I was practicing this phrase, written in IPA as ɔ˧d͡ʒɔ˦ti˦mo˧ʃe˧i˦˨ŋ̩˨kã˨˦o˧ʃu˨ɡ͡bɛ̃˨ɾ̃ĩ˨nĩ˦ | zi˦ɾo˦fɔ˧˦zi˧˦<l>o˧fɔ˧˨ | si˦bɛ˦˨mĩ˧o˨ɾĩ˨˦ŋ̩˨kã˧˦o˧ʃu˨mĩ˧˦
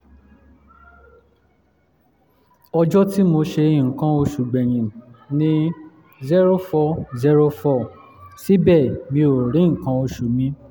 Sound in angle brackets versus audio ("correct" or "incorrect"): incorrect